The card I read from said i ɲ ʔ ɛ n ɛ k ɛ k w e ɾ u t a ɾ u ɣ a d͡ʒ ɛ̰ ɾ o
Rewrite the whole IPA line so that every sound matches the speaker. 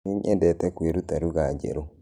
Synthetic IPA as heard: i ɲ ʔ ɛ d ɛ t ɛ k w e ɾ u t a ɾ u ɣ a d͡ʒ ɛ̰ ɾ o